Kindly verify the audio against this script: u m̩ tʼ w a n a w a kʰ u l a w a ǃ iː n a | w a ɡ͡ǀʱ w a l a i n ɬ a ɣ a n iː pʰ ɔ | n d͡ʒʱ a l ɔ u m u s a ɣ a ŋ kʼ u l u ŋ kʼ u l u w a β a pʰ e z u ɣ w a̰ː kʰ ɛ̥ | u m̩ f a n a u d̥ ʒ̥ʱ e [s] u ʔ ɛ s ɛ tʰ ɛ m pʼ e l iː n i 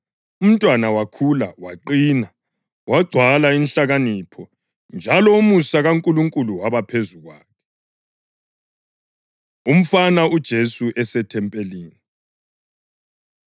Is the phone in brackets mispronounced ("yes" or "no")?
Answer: no